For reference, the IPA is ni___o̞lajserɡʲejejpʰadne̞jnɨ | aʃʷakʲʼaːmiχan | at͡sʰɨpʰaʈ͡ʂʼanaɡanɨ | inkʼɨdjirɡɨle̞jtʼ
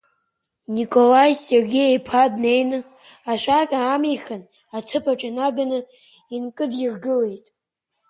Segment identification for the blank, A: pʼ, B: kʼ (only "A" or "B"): B